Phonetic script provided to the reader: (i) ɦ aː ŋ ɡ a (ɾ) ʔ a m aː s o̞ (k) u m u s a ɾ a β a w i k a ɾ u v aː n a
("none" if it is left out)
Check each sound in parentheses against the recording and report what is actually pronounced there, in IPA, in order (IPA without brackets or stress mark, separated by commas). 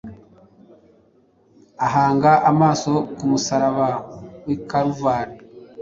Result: a, none, k